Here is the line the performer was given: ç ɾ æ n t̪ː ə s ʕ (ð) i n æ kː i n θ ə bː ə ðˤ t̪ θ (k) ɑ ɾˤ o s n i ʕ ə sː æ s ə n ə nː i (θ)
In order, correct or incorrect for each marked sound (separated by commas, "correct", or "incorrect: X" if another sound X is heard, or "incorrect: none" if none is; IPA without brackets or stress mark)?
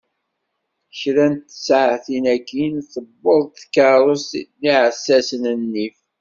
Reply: incorrect: θ, correct, incorrect: f